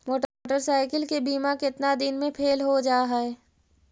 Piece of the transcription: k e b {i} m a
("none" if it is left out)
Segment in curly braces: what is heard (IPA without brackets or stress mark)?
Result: iː